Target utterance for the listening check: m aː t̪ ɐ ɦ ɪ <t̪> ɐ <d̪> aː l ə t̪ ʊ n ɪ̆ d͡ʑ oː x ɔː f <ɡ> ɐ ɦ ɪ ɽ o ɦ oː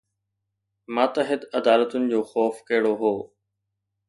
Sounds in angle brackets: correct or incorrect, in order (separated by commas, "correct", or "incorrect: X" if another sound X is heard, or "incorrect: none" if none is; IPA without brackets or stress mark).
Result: incorrect: d̪, correct, incorrect: k